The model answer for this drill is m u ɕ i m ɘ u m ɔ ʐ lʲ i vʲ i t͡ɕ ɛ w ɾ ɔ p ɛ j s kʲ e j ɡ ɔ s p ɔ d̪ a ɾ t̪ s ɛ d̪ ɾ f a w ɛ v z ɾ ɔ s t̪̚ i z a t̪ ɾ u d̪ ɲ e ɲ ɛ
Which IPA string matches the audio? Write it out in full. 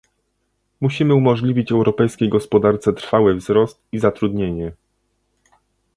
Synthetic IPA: m u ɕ i m ɘ u m ɔ ʐ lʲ i vʲ i t͡ɕ ɛ w ɾ ɔ p ɛ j s kʲ e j ɡ ɔ s p ɔ d̪ a ɾ t̪ s ɛ t̪ ɾ f a w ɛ v z ɾ ɔ s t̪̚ i z a t̪ ɾ u d̪ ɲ e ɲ ɛ